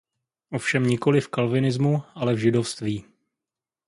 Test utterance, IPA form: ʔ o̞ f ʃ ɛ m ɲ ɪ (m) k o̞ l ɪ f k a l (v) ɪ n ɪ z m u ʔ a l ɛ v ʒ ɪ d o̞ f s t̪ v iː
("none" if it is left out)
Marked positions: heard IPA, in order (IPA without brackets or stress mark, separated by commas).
none, v